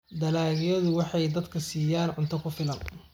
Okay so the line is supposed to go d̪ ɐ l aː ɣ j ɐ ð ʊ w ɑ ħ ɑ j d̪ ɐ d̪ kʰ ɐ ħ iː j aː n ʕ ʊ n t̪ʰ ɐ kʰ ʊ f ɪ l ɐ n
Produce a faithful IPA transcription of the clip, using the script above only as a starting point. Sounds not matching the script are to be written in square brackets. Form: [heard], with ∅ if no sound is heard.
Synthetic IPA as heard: d̪ ɐ l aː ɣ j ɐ ð ʊ w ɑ ħ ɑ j d̪ ɐ d̪ kʰ ɐ [s] iː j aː n ʕ ʊ n t̪ʰ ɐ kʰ ʊ f ɪ l ɐ n

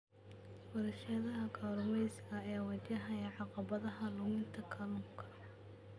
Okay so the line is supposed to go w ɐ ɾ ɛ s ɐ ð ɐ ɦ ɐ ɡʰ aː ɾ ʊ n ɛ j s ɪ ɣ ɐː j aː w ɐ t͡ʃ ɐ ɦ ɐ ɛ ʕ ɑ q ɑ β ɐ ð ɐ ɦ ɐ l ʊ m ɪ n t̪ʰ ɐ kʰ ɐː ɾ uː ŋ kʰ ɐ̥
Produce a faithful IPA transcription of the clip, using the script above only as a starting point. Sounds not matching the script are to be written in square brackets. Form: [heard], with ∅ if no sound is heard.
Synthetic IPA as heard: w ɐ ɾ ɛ [ʃ] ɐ ð ɐ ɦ ɐ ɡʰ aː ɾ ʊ [m] ɛ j s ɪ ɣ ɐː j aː w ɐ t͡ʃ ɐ ɦ ɐ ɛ ʕ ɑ q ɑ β ɐ ð ɐ ɦ ɐ l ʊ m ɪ n t̪ʰ ɐ kʰ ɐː [l] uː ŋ kʰ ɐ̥

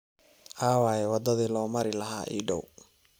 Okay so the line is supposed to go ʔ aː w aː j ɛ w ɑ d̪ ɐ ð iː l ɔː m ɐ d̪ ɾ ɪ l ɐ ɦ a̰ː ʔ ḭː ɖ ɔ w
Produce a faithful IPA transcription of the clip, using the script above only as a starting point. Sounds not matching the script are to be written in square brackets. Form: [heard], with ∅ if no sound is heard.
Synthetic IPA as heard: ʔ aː w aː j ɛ w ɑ d̪ ɐ ð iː l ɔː m ɐ [∅] ɾ ɪ l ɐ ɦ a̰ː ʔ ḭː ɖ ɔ w

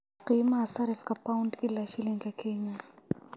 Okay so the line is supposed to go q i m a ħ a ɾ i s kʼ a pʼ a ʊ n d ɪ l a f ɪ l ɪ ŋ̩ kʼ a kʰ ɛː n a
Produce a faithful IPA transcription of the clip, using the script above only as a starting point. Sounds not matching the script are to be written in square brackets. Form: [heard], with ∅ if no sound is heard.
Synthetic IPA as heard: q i m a [s] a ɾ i [f] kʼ a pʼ a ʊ n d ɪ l a [ʃ] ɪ l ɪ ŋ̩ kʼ a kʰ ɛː [ɲ] a

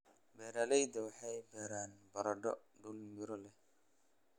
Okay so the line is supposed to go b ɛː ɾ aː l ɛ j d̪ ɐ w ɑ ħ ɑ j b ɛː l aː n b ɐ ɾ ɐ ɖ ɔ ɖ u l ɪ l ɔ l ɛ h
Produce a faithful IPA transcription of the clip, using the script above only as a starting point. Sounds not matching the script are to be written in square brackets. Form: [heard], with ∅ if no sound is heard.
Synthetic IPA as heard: b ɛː ɾ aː l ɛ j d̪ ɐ w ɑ ħ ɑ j b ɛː [ɾ] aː n b ɐ ɾ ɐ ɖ ɔ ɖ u l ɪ [ɾ] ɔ l ɛ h

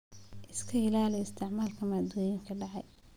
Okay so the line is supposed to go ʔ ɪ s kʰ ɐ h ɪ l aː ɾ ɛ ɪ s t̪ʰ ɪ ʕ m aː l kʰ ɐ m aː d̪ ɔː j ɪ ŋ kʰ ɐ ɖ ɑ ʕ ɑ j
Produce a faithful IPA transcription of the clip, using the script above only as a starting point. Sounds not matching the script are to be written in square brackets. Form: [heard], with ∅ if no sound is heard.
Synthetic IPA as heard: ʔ ɪ s kʰ ɐ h ɪ l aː [l] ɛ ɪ s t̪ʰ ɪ ʕ m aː l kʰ ɐ m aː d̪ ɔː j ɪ ŋ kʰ ɐ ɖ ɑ ʕ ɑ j

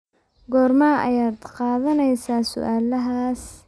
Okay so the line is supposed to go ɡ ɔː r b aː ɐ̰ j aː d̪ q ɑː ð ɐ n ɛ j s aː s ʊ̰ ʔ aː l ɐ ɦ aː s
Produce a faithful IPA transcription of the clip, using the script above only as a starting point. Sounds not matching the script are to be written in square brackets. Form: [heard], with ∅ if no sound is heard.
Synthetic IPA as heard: ɡ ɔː r [m] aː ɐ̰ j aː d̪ q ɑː ð ɐ n ɛ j s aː s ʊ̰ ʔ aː l ɐ ɦ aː s

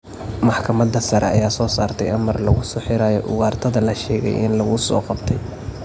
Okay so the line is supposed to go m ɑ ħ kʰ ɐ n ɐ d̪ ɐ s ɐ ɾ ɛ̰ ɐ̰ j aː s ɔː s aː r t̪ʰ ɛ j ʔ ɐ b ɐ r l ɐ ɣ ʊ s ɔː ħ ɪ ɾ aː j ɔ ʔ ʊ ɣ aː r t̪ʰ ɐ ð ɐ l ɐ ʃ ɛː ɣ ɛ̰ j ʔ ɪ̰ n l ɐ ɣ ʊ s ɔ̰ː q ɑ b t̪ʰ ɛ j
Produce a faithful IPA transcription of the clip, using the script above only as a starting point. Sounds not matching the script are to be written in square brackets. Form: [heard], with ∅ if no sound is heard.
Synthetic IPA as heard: m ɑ ħ kʰ ɐ [m] ɐ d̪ ɐ s ɐ ɾ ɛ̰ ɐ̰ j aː s ɔː s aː r t̪ʰ ɛ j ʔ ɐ [m] ɐ r l ɐ ɣ ʊ s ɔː ħ ɪ ɾ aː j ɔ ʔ ʊ ɣ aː r t̪ʰ ɐ ð ɐ l ɐ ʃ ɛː ɣ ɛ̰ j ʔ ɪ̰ n l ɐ ɣ ʊ s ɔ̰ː q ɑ b t̪ʰ ɛ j

